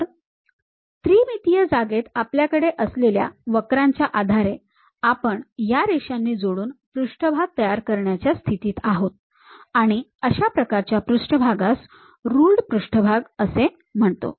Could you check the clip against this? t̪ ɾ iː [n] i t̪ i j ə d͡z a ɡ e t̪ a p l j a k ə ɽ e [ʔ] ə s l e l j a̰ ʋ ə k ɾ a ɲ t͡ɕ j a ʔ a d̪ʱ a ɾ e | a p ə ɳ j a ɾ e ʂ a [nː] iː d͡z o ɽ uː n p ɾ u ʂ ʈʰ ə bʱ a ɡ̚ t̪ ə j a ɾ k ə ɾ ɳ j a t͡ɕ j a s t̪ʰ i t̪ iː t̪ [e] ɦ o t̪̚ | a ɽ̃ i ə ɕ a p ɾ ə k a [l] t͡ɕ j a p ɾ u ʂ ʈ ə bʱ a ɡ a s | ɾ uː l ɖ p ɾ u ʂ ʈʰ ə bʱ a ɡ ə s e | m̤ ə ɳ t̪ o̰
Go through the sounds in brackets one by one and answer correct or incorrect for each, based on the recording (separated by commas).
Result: incorrect, correct, correct, incorrect, incorrect